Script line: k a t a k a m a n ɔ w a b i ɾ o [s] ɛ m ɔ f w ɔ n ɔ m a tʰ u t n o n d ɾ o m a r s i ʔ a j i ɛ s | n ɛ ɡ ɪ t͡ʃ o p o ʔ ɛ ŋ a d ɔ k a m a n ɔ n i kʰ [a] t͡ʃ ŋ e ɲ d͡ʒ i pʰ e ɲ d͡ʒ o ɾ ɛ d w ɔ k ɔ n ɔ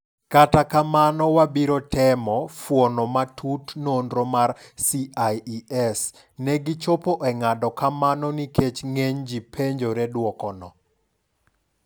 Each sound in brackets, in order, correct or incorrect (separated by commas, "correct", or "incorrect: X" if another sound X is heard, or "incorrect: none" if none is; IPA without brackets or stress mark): incorrect: t, incorrect: e